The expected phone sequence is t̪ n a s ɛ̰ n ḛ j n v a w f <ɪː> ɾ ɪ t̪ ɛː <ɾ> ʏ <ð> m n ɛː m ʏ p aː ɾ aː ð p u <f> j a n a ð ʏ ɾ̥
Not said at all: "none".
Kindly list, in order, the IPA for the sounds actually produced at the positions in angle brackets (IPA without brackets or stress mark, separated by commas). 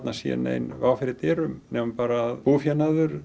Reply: ɪ, ɾ, none, f